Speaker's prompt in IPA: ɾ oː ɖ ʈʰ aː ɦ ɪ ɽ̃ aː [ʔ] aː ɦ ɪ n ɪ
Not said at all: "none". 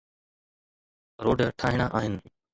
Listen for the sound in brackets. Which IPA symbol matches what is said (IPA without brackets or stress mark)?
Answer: ʔ